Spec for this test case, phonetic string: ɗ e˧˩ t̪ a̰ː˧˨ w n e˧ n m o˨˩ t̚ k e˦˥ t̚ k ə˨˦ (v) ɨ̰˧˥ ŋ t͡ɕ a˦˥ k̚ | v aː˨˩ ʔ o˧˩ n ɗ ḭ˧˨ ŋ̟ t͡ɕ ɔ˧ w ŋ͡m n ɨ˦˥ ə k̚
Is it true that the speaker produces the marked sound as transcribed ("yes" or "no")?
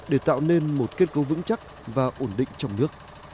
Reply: yes